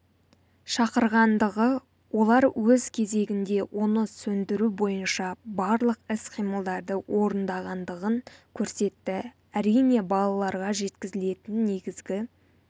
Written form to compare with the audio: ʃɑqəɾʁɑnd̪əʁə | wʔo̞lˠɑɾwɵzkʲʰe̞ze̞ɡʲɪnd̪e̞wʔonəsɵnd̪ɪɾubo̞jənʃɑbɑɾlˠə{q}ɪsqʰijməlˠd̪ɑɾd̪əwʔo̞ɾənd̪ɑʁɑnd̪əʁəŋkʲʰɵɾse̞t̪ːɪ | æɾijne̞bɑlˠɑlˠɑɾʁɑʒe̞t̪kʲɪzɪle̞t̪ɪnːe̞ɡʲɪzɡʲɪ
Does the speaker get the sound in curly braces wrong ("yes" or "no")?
no